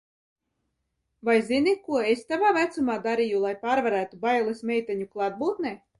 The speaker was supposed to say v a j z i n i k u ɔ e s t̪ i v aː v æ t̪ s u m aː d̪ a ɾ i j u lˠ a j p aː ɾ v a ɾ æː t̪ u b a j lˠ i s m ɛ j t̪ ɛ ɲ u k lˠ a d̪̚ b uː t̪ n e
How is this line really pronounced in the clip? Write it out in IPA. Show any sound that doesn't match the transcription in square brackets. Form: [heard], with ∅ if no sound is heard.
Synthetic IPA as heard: v a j z i n i k u ɔ e s t̪ [a] v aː v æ t̪ s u m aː d̪ a ɾ i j u lˠ a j p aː ɾ v a ɾ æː t̪ u b a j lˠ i s m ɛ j t̪ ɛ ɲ u k lˠ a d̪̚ b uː t̪ n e